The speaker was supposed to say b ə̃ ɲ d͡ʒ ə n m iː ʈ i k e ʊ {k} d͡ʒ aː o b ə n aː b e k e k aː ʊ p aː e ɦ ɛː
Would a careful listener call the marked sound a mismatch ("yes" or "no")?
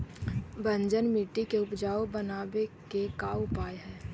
yes